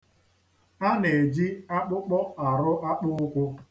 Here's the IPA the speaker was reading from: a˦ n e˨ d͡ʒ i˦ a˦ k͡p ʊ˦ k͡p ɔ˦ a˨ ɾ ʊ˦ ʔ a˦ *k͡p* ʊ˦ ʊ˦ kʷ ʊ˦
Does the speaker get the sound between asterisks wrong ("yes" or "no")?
no